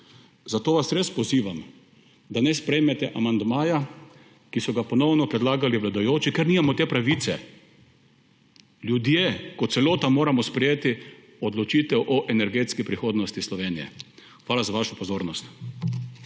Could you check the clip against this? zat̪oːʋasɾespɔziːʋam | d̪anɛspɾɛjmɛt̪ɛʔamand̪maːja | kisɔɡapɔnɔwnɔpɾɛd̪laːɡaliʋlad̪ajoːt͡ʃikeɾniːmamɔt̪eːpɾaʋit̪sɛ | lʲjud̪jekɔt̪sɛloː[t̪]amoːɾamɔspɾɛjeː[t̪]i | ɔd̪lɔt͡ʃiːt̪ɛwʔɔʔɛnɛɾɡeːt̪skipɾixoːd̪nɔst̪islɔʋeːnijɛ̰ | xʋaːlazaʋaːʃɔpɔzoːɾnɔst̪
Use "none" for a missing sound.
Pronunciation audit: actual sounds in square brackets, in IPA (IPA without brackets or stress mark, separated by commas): t̪, t̪